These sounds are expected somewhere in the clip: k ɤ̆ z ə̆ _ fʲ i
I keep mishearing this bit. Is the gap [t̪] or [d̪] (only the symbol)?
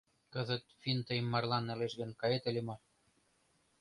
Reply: t̪